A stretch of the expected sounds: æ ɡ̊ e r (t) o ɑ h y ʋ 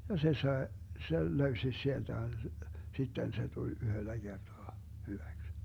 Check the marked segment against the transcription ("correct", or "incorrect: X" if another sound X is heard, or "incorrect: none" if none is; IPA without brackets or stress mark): correct